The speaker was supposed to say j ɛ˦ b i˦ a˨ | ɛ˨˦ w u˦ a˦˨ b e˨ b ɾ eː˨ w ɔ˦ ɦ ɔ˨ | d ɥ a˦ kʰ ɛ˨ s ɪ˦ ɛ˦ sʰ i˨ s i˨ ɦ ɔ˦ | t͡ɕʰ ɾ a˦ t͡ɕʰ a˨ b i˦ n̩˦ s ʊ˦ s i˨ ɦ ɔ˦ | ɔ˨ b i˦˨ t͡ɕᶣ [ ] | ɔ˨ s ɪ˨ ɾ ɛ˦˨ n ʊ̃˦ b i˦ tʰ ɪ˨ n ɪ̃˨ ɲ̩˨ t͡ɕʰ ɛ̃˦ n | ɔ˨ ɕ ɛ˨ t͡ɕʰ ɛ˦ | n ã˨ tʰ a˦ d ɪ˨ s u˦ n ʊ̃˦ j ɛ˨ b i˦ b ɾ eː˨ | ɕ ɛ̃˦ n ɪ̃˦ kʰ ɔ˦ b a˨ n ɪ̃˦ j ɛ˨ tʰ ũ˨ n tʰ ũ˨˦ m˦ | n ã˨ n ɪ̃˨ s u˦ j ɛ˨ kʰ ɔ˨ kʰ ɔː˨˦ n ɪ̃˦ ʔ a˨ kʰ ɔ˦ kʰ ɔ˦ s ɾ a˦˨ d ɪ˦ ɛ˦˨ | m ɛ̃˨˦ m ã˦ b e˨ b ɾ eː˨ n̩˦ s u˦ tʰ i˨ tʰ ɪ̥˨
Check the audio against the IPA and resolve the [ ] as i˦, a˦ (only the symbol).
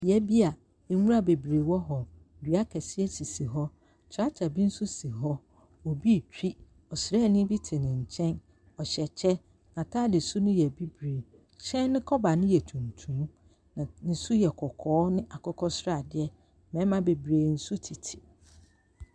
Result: i˦